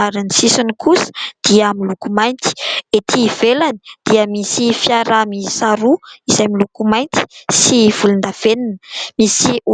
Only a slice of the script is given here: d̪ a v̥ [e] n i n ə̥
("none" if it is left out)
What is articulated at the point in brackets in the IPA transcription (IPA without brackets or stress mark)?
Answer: e